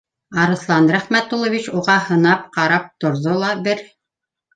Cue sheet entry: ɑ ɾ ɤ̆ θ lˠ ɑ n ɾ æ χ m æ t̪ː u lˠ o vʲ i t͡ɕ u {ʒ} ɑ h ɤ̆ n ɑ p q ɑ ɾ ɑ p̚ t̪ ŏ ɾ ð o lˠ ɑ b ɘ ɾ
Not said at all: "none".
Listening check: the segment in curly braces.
ʁ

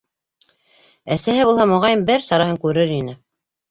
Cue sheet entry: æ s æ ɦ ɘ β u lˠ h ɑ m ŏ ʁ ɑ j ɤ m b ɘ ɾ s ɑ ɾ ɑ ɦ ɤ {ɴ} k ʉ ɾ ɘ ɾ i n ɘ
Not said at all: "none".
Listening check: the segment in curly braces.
ŋ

